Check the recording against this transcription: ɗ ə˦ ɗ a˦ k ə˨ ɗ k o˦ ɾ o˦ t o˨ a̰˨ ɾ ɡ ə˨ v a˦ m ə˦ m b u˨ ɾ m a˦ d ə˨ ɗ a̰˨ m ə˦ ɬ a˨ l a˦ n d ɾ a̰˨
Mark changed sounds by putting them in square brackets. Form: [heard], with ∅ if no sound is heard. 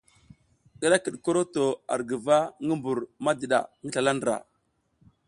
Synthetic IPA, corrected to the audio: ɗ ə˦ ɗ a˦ k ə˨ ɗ k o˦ ɾ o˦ t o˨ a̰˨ ɾ ɡ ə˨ v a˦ [ŋ] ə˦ m b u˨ ɾ m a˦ d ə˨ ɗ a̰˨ [ŋ] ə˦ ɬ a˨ l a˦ n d ɾ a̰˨